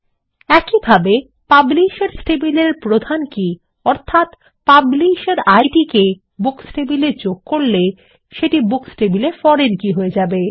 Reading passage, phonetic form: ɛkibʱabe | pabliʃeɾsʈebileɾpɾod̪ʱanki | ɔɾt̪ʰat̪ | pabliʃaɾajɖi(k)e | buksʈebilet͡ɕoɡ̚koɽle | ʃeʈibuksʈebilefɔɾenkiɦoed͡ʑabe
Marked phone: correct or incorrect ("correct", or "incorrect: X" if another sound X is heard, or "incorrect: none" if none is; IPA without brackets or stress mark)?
correct